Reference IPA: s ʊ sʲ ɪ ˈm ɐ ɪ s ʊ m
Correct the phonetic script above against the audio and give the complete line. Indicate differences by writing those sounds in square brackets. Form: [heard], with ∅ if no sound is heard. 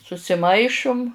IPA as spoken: s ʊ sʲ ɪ ˈm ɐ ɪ [ʃ] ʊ m